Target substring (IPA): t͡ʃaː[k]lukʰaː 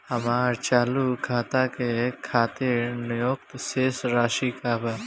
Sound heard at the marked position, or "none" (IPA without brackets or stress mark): none